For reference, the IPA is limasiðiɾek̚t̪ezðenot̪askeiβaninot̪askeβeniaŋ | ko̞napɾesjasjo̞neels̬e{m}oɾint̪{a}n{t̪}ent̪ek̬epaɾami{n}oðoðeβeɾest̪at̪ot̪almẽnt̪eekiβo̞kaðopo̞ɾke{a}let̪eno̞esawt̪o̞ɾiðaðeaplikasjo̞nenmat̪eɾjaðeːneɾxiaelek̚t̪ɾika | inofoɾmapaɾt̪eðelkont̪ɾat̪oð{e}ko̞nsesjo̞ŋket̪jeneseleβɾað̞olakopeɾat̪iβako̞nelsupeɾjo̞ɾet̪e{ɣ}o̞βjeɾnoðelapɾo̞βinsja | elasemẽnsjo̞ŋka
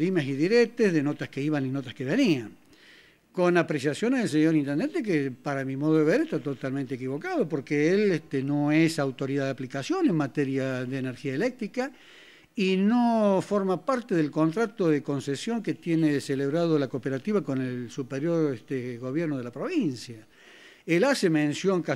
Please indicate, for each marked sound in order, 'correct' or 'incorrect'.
incorrect: ɲ, incorrect: e, incorrect: d̪, incorrect: m, incorrect: e, correct, correct

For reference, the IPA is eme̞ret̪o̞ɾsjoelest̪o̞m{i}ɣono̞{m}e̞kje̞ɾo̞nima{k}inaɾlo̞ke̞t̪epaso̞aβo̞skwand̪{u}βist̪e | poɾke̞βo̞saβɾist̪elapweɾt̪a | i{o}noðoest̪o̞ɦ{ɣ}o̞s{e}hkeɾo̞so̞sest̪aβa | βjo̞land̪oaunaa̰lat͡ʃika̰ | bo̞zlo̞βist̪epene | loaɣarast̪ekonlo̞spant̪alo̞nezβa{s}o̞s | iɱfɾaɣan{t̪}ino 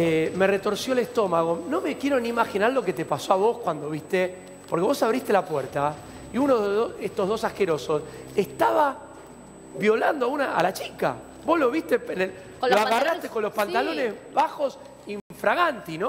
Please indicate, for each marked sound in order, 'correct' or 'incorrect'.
incorrect: a, correct, incorrect: x, incorrect: o, incorrect: u, incorrect: ð, incorrect: a, incorrect: x, correct

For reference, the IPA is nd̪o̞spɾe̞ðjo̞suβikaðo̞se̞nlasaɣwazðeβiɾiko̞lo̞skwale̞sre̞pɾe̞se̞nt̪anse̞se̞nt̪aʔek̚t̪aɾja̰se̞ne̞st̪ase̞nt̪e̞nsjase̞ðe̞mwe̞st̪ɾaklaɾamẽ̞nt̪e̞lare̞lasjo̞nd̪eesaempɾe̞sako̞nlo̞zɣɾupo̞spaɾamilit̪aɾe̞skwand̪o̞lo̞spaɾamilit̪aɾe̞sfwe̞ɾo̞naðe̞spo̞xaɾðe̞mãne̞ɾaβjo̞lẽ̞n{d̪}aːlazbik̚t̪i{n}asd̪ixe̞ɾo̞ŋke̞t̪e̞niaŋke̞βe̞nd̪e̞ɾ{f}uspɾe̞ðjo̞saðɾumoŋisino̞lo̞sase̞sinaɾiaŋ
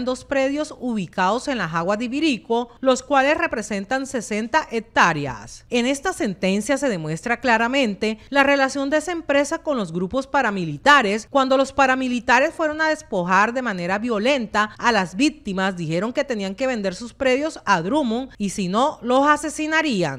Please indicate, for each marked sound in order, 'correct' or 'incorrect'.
incorrect: t̪, incorrect: m, incorrect: s

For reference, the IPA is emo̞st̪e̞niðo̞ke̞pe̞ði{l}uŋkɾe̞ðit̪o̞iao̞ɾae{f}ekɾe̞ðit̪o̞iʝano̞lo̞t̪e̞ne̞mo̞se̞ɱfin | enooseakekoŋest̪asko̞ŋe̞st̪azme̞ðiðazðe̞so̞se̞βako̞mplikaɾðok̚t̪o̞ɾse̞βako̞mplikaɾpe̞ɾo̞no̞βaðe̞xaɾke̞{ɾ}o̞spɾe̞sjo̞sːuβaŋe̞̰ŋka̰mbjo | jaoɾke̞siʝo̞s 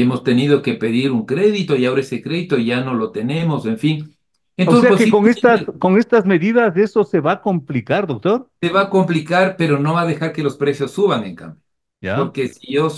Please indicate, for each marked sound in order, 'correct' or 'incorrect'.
incorrect: ɾ, incorrect: s, incorrect: l

